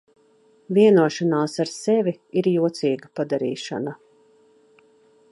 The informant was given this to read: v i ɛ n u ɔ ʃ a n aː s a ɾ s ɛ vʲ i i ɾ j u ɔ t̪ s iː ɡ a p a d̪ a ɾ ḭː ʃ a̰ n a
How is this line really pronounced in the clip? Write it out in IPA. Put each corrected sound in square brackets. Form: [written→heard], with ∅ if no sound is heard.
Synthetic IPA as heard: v i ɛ n u ɔ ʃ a n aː s a ɾ s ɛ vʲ i i ɾ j u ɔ t̪ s iː ɡ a p a d̪ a ɾ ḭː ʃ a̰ n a